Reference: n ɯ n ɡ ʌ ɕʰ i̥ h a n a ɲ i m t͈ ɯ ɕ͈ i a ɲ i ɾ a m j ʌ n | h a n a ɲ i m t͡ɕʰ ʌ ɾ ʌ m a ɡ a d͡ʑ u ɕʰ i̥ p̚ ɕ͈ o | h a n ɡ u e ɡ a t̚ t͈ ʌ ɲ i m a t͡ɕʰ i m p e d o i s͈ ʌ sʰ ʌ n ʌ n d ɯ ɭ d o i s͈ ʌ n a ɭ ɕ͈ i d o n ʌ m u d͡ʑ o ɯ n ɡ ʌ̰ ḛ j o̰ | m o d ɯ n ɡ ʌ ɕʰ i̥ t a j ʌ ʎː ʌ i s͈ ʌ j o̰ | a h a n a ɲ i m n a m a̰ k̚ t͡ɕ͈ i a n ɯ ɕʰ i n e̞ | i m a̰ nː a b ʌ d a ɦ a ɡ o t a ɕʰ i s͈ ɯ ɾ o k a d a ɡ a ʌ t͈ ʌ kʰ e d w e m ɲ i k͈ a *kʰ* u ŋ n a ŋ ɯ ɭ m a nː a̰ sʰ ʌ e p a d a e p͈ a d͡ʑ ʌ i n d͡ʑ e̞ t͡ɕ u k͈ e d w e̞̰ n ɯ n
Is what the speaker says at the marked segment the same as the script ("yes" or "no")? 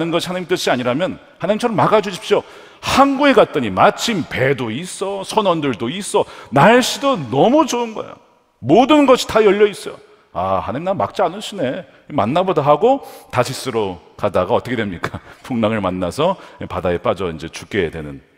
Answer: no